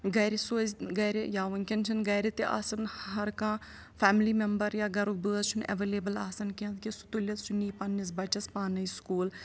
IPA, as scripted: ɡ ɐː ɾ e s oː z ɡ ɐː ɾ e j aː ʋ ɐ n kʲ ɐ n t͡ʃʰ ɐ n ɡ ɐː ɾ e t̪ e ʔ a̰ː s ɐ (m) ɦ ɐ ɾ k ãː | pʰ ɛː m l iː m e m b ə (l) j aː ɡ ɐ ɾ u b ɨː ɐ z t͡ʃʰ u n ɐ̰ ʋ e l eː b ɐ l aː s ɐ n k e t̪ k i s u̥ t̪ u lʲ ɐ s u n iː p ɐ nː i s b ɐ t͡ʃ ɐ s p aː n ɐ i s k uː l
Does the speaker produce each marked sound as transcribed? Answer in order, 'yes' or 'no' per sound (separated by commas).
no, no